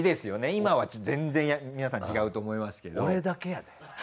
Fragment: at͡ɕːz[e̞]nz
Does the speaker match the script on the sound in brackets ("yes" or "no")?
no